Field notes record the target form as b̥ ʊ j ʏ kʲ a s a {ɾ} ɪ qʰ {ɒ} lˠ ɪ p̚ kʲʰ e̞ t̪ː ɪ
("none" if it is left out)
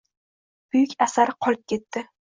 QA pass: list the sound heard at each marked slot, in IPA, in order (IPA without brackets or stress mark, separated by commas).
ɾ, ɒ